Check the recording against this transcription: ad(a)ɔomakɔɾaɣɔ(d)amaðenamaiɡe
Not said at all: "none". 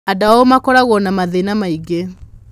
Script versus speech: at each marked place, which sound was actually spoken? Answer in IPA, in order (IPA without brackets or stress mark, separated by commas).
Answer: a, n